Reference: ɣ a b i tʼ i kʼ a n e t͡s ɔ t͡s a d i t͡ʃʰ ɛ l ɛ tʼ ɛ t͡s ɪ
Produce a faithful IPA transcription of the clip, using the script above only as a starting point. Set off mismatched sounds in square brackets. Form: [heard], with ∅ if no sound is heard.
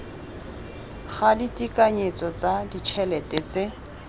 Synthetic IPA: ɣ a [d] i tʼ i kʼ a [ɲ] e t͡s ɔ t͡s a d i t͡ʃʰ ɛ l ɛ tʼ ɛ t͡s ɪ